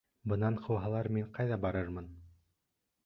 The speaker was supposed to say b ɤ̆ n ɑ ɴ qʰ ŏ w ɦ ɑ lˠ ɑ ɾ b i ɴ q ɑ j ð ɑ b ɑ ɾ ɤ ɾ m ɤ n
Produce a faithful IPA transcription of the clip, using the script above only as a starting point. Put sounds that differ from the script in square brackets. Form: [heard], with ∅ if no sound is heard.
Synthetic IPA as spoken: b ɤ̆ n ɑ ɴ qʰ [ɤ̆] w ɦ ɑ lˠ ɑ ɾ [m] i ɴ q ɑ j ð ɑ b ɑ ɾ ɤ ɾ m ɤ n